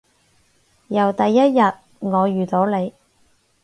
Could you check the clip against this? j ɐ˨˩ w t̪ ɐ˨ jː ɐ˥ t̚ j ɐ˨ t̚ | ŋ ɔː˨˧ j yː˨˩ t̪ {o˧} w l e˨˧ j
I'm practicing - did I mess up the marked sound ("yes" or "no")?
yes